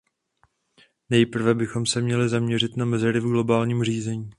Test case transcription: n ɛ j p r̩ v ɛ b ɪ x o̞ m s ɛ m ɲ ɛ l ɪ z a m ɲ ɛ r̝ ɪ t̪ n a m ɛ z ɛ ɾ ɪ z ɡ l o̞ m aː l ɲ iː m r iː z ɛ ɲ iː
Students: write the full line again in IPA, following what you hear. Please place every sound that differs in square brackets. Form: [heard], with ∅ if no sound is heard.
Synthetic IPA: n ɛ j p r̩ v ɛ b ɪ x o̞ m s ɛ m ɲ ɛ l ɪ z a m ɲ ɛ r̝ ɪ t̪ n a m ɛ z ɛ ɾ ɪ [v] ɡ l o̞ [b] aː l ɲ iː m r iː z ɛ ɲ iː